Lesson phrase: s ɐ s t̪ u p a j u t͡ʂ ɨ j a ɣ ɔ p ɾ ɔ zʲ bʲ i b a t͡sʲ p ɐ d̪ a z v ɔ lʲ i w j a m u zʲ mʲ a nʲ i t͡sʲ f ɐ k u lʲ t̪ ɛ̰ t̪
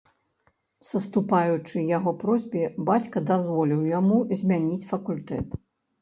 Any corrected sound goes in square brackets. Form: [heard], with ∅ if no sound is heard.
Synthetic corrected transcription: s ɐ s t̪ u p a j u t͡ʂ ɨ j a ɣ ɔ p ɾ ɔ zʲ bʲ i b a t͡sʲ [k] ɐ d̪ a z v ɔ lʲ i w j a m u zʲ mʲ a nʲ i t͡sʲ f ɐ k u lʲ t̪ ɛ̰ t̪